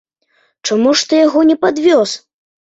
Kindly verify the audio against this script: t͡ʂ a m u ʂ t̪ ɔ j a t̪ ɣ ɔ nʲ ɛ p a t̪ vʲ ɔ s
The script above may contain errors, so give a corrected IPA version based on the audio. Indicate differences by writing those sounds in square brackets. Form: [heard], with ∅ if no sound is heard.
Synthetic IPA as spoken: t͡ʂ a m u ʂ t̪ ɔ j a [∅] ɣ ɔ nʲ ɛ p a [d̪] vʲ ɔ s